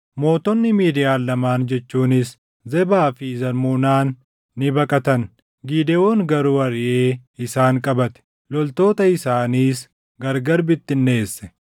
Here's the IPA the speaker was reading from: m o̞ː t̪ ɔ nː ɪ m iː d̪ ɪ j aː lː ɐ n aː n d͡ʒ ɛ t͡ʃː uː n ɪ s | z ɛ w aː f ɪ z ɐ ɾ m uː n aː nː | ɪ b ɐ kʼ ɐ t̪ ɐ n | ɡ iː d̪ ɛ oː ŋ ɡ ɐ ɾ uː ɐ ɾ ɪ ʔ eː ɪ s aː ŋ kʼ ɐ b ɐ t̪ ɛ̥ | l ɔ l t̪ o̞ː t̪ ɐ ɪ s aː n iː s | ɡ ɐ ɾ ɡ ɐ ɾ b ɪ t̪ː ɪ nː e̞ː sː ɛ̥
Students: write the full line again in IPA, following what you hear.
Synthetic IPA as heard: m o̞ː t̪ ɔ nː ɪ m iː d̪ ɪ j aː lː ɐ m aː n d͡ʒ ɛ t͡ʃː uː n ɪ s | z ɛ b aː f ɪ z ɐ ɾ m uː n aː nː | ɪ b ɐ kʼ ɐ t̪ ɐ n | ɡ iː d̪ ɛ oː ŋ ɡ ɐ ɾ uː ɐ ɾ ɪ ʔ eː ɪ s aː ŋ kʼ ɐ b ɐ t̪ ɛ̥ | l ɔ l t̪ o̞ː t̪ ɐ ɪ s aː n iː s | ɡ ɐ ɾ ɡ ɐ ɾ b ɪ t̪ː ɪ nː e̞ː sː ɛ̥